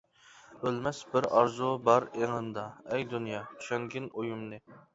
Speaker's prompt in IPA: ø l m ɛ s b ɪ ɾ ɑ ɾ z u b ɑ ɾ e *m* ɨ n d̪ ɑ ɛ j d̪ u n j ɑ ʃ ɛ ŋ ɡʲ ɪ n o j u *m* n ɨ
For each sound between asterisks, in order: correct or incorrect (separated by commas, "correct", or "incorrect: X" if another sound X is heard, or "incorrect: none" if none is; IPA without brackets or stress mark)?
incorrect: ŋ, correct